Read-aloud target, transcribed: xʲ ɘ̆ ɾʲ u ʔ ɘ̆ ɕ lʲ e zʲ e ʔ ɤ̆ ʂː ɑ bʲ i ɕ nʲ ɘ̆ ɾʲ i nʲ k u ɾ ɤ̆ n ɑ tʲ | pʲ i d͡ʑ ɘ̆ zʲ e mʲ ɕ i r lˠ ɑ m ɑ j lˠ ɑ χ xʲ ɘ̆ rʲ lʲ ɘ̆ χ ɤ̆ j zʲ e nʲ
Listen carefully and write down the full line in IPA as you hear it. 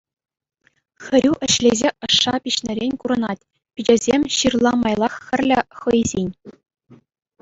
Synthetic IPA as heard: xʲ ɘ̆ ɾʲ u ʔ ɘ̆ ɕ lʲ e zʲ e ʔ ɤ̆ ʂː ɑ pʲ i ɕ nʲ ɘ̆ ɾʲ e nʲ k u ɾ ɤ̆ n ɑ tʲ | pʲ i d͡ʑ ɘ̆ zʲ e mʲ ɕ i r lˠ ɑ m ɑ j lˠ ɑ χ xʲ ɘ̆ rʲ lʲ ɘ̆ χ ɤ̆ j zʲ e nʲ